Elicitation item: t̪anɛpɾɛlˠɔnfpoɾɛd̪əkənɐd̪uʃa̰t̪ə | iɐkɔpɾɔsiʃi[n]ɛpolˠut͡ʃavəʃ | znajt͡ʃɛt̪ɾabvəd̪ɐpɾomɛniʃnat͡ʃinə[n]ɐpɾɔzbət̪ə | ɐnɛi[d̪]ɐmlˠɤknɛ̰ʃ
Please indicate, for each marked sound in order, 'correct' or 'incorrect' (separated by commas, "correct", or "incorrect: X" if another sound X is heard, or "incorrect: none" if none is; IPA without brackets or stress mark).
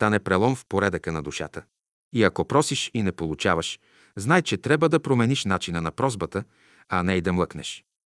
correct, correct, correct